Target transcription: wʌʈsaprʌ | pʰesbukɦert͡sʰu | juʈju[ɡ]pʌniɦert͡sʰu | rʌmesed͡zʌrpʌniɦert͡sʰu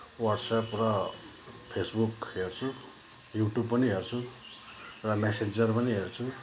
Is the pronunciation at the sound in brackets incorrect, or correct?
incorrect